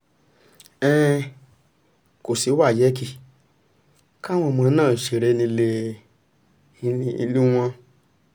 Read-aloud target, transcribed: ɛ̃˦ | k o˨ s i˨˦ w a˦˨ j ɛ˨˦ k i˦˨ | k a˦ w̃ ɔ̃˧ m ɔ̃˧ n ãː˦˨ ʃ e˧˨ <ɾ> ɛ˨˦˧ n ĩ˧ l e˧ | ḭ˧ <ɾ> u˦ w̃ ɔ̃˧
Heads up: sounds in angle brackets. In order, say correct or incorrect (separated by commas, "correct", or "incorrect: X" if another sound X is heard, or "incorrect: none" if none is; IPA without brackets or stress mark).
correct, incorrect: l